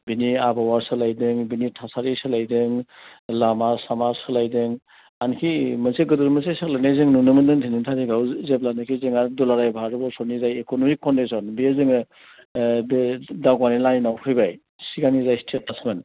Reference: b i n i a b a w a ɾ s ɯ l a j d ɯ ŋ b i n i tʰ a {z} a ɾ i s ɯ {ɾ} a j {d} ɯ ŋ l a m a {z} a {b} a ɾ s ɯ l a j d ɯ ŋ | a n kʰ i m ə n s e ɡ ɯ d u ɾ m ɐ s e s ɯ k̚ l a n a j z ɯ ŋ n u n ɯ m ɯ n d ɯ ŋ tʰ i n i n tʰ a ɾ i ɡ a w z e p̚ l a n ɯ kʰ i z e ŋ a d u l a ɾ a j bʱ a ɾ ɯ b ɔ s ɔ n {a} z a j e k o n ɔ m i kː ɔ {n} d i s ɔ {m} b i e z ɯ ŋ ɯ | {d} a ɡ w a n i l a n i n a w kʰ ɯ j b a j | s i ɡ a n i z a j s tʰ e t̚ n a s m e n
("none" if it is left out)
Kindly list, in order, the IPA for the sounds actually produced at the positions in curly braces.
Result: s, l, d, s, m, i, n, n, d

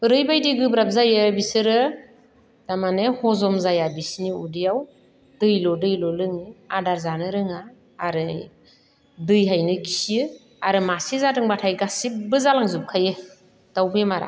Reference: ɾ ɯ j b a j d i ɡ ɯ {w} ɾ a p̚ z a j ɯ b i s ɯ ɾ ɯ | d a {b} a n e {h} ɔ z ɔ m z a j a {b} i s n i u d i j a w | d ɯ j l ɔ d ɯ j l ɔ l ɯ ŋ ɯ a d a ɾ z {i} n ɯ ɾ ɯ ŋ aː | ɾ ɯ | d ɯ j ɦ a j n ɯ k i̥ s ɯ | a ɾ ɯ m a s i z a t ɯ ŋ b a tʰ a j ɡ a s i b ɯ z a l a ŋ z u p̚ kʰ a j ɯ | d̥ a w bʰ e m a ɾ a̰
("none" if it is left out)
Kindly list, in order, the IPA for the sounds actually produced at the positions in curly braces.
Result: b, m, h, b, a

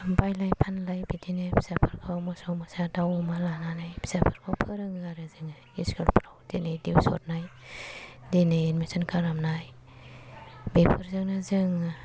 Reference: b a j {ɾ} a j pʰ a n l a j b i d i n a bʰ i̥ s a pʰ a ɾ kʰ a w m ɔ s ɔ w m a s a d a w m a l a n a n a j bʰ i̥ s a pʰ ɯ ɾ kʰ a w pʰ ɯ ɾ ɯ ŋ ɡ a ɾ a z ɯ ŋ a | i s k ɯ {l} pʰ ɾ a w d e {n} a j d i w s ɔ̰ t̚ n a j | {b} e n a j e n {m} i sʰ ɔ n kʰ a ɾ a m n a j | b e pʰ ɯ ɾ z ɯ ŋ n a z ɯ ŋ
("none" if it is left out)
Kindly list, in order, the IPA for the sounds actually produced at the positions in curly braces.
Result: l, l, n, d, m

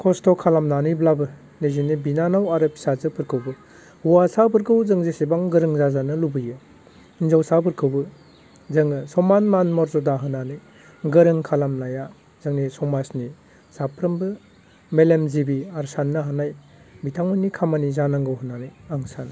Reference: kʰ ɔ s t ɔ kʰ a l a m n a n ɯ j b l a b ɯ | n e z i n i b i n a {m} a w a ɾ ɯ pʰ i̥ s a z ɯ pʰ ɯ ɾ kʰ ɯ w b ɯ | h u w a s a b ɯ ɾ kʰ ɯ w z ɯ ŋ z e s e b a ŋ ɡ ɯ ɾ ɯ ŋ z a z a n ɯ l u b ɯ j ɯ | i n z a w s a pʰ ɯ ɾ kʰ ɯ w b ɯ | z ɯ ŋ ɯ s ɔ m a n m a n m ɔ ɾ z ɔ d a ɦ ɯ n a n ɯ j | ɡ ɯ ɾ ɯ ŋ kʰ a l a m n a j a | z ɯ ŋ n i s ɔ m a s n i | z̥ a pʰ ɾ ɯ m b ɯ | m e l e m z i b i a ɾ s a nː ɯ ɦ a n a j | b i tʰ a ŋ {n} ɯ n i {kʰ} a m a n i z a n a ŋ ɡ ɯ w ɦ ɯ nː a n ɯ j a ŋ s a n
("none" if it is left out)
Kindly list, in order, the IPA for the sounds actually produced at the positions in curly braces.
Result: n, m, kʰ

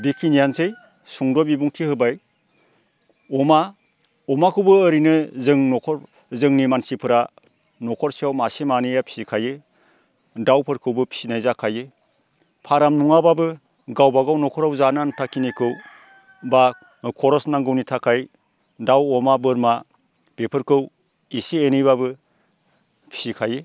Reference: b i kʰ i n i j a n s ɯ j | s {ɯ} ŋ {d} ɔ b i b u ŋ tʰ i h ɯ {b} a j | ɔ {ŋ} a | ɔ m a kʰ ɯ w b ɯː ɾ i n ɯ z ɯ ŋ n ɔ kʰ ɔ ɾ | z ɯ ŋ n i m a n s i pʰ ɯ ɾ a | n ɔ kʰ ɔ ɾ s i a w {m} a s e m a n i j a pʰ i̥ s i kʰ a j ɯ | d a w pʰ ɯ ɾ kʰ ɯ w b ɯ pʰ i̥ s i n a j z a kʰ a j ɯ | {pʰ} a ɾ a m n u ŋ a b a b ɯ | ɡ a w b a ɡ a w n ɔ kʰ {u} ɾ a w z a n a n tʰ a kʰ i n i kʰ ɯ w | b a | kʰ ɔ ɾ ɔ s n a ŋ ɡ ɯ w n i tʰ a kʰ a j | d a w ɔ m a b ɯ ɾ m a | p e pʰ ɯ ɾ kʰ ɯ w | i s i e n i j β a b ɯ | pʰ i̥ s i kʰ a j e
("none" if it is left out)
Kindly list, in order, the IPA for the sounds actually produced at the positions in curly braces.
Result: u, d, b, m, m, pʰ, ɔ

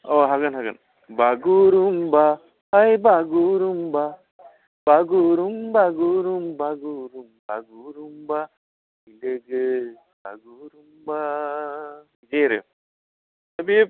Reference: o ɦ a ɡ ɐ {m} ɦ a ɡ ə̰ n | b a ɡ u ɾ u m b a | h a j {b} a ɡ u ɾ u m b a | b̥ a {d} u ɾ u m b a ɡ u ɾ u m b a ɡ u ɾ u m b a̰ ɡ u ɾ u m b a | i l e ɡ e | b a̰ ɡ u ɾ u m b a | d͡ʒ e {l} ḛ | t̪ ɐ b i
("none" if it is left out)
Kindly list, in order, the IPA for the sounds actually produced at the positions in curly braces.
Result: n, b, ɡ, ɾ

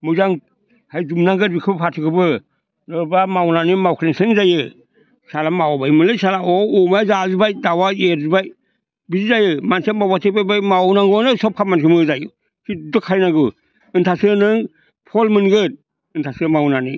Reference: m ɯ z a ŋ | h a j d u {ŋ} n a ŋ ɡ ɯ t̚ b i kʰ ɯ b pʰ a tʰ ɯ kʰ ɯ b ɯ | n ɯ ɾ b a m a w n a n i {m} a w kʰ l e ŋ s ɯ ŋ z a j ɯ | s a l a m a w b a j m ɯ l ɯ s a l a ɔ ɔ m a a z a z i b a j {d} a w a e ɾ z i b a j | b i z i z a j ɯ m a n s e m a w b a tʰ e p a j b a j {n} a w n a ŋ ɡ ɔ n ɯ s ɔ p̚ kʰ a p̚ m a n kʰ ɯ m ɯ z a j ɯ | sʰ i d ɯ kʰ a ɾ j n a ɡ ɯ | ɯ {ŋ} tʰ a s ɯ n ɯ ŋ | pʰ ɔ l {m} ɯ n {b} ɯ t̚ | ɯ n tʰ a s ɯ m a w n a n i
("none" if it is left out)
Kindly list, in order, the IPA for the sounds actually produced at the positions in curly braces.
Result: m, m, d, m, n, m, ɡ

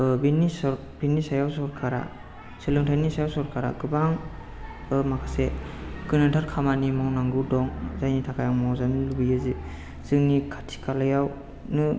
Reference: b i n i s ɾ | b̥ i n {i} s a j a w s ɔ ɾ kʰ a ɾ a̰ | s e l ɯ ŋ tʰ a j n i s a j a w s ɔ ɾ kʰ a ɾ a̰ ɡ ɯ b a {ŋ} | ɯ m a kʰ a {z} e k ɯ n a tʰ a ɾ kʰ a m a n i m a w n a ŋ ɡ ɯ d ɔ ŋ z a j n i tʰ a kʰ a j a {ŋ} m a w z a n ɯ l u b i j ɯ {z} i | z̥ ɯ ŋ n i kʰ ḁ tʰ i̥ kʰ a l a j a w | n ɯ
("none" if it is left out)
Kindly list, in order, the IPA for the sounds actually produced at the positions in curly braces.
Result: i, ŋ, s, ŋ, z

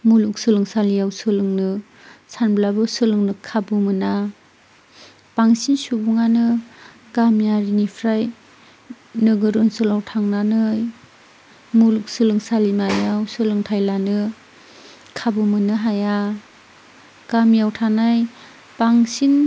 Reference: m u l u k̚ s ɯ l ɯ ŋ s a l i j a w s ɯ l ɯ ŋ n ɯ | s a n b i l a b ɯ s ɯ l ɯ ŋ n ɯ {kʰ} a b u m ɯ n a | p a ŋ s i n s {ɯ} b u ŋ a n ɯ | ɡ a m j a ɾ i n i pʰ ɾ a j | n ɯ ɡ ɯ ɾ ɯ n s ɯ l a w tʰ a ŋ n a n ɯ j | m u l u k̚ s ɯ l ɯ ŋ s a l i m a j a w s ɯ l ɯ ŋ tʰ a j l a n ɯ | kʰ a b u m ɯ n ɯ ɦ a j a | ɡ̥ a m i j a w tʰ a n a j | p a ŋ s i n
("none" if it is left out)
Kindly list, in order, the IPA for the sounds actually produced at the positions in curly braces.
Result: kʰ, u

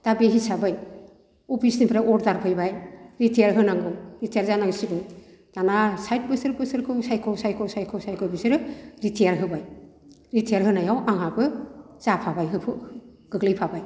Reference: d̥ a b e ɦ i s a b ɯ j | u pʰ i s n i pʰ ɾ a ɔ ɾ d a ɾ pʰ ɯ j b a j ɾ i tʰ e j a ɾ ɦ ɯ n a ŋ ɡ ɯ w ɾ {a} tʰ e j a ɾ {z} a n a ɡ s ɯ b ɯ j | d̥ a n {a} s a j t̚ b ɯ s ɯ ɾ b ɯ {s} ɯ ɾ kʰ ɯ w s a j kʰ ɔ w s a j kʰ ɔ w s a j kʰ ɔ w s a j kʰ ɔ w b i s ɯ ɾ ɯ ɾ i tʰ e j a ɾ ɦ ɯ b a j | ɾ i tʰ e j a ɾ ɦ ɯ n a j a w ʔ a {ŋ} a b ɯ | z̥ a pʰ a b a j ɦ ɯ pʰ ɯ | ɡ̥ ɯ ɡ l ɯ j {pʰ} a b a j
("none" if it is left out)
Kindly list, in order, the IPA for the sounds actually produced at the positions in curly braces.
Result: i, z, a, s, ŋ, pʰ

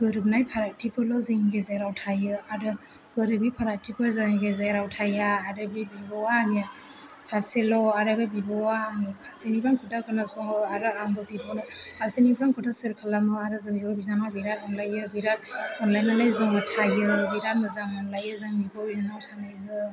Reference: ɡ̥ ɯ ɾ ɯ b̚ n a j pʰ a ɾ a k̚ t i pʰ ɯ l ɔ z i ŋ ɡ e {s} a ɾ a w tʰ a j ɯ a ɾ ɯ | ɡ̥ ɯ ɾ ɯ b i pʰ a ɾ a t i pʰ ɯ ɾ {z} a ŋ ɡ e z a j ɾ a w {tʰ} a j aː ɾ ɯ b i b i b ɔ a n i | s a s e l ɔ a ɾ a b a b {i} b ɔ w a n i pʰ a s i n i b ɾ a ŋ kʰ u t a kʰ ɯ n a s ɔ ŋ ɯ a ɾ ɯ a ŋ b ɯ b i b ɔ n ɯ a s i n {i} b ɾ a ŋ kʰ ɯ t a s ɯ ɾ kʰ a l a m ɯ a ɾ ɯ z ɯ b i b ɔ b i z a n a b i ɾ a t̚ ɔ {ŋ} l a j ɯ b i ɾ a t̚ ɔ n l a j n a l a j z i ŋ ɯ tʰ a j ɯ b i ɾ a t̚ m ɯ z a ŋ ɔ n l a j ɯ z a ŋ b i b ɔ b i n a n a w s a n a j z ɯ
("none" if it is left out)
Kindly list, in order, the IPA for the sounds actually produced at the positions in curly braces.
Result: z, z, tʰ, i, i, n

